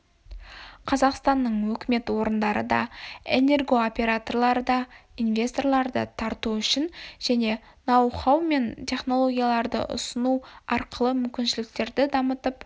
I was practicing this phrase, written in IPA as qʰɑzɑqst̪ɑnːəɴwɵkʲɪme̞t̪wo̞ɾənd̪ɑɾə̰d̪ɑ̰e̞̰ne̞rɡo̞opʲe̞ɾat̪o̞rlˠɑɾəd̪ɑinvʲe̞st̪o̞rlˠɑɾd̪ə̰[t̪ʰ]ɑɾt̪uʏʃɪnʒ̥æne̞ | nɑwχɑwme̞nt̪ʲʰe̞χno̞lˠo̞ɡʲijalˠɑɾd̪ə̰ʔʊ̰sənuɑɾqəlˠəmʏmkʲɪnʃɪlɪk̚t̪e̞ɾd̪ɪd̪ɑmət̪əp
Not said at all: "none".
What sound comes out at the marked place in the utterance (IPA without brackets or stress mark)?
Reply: t̪ʰ